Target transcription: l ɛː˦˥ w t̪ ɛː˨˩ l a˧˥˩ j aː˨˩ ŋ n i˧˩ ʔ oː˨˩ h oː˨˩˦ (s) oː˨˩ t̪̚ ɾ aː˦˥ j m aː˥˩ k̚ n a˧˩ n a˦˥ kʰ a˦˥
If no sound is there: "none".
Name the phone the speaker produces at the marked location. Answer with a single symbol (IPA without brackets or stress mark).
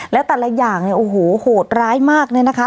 h